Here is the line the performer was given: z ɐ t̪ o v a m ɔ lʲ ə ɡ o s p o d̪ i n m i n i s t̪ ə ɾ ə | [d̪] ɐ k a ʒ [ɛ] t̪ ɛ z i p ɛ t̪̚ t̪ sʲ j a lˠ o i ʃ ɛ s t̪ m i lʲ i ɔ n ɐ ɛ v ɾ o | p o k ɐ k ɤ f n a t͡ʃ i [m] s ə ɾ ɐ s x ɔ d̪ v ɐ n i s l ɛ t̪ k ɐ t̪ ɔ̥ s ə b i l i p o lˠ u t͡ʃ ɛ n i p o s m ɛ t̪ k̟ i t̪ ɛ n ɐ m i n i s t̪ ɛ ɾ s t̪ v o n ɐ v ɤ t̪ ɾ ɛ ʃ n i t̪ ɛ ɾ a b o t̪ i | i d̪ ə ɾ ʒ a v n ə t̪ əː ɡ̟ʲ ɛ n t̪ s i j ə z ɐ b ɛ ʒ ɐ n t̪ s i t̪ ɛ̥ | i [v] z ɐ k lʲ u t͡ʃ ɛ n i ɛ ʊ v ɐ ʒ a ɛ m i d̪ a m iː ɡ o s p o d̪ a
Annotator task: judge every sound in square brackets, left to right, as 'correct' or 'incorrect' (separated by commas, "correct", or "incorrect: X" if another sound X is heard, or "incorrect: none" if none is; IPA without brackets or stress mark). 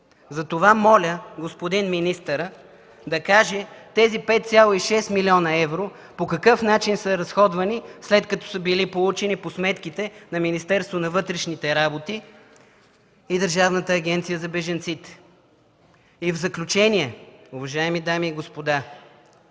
correct, correct, incorrect: n, correct